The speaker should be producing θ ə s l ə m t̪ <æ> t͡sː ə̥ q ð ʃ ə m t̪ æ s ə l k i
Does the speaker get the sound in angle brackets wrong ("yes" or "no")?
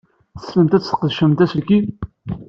no